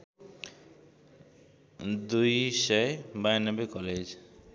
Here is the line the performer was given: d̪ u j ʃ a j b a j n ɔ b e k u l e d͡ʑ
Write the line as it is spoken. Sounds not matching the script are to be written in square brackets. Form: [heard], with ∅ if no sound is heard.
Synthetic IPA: d̪ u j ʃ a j b a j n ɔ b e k [ɔ] l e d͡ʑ